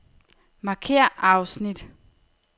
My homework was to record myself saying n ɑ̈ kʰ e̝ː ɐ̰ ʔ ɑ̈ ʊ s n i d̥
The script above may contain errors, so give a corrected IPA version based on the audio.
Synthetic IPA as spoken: m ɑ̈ kʰ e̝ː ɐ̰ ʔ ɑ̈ ʊ s n i d̥